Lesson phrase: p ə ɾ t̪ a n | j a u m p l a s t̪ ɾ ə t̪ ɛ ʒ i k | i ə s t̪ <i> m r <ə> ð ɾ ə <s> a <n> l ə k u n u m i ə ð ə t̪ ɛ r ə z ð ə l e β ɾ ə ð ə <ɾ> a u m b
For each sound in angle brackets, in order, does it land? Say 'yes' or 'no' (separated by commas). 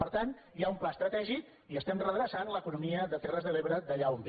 no, yes, yes, yes, no